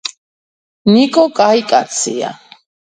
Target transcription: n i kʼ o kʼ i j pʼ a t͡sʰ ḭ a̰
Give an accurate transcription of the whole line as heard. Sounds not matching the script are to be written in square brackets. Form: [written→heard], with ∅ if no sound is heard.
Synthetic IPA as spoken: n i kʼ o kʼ [i→a] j [pʼ→kʼ] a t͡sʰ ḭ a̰